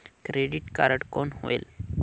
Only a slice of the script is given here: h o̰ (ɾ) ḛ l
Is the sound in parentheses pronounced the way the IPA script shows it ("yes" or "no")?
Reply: no